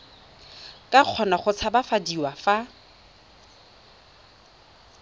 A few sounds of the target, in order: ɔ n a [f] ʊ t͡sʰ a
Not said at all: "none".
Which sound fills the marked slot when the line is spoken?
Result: χ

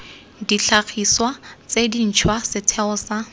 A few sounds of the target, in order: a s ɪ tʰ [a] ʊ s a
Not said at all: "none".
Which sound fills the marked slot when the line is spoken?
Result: ɛ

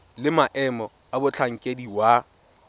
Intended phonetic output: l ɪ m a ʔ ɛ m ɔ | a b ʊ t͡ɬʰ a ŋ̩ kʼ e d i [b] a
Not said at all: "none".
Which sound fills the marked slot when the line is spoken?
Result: w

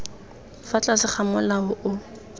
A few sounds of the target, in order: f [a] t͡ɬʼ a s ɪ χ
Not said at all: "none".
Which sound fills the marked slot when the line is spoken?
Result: a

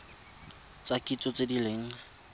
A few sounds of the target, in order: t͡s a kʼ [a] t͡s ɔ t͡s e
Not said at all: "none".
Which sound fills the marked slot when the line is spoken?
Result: i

